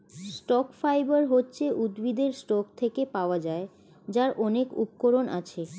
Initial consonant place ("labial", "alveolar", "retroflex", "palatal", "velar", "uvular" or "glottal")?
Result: alveolar